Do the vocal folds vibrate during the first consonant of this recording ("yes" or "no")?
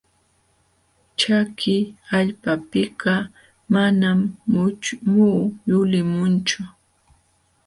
no